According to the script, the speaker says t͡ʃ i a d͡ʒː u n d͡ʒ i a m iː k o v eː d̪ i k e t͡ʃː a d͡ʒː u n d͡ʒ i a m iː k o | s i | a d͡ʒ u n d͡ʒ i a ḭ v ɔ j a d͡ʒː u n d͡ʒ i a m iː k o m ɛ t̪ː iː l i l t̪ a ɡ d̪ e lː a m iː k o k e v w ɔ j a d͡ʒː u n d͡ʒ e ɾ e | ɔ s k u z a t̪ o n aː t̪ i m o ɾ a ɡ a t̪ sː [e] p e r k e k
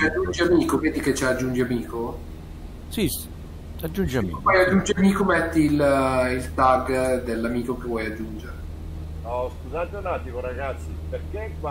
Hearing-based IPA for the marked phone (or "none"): i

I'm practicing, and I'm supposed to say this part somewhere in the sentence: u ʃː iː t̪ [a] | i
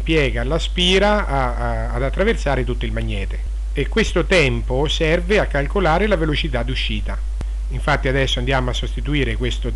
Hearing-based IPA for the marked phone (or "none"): a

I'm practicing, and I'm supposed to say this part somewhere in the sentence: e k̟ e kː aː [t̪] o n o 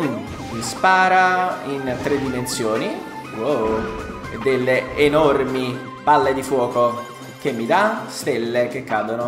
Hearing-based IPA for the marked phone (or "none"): d̪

